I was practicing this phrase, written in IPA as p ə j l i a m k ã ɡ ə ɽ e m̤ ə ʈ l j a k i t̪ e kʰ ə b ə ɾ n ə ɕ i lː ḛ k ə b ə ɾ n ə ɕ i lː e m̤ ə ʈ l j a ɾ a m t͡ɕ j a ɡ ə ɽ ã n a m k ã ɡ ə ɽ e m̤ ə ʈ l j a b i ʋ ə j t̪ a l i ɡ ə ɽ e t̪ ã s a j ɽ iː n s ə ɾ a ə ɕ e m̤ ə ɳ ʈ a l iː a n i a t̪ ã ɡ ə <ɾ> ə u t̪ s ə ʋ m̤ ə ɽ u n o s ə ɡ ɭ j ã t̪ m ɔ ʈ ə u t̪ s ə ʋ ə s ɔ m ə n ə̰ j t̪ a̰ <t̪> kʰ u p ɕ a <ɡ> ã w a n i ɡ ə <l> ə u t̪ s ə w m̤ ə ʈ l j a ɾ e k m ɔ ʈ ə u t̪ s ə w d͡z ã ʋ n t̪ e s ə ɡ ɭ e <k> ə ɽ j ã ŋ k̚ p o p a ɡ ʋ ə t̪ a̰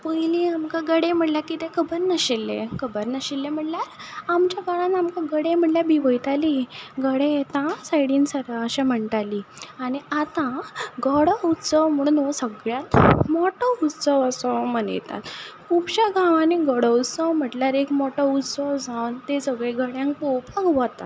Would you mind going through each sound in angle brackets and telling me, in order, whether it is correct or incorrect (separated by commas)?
incorrect, correct, correct, incorrect, incorrect